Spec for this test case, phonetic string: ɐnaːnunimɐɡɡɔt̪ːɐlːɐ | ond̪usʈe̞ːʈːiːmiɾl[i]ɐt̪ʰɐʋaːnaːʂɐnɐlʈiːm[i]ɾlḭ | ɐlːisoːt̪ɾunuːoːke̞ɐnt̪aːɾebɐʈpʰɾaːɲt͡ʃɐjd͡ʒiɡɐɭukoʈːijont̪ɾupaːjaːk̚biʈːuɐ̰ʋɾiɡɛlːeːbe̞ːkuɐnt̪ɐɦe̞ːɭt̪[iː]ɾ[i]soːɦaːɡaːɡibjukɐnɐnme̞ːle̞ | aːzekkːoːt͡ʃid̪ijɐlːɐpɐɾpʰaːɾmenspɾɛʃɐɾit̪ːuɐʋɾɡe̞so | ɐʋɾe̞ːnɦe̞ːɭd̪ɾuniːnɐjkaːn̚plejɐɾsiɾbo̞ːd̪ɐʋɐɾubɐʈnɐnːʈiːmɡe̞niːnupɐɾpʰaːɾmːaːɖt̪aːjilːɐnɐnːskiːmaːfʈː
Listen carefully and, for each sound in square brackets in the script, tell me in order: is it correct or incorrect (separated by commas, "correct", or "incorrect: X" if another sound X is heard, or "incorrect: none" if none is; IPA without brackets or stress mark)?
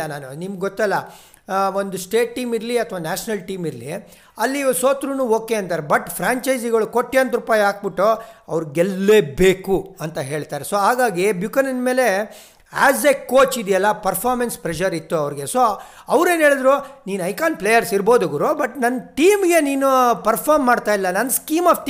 correct, correct, incorrect: aː, incorrect: e